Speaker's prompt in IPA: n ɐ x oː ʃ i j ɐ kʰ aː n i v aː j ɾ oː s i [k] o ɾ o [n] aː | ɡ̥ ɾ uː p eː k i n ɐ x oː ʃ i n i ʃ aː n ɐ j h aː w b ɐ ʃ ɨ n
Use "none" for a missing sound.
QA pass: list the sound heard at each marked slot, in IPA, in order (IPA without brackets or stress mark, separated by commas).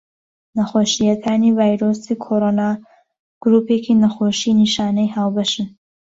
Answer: kʰ, n